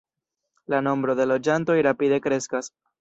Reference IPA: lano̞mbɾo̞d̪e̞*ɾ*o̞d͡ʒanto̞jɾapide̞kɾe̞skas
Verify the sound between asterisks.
incorrect: l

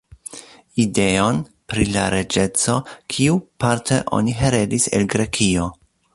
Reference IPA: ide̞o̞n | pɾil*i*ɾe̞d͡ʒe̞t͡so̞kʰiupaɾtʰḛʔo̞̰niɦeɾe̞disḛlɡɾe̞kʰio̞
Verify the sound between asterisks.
incorrect: a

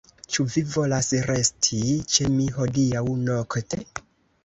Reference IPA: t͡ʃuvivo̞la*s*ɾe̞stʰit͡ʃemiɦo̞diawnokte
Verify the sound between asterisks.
correct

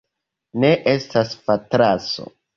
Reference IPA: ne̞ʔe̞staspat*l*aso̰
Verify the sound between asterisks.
incorrect: ɾ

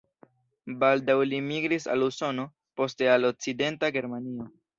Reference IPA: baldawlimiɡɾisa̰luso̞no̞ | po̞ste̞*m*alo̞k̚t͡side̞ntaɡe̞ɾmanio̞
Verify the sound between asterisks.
incorrect: none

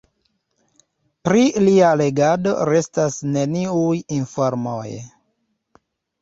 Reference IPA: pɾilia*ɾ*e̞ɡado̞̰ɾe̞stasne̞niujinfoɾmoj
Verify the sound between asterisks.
incorrect: l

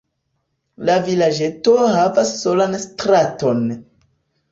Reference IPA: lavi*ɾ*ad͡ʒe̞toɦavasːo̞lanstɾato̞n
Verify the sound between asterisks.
incorrect: l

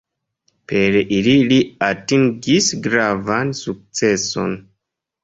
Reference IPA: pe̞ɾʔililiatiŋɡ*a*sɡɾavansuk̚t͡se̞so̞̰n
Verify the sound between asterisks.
incorrect: i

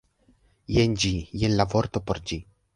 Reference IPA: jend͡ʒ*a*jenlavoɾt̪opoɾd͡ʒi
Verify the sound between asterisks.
incorrect: i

